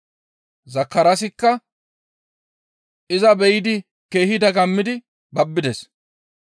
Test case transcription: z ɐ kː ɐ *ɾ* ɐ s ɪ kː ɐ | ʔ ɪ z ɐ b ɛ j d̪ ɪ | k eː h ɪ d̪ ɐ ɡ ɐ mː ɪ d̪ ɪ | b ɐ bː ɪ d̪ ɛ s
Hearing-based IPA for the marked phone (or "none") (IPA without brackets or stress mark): ɾ